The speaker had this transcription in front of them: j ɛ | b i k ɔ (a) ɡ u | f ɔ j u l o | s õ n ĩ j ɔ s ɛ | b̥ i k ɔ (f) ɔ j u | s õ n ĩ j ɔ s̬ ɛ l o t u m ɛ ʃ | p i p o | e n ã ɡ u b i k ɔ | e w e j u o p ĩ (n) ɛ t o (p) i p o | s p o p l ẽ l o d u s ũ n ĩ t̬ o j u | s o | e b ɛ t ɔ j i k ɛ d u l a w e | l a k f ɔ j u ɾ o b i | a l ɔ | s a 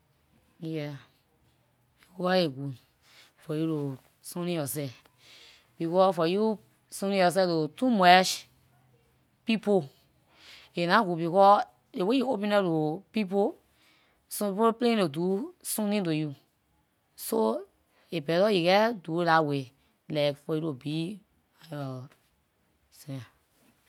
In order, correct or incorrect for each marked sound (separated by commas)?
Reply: incorrect, correct, correct, correct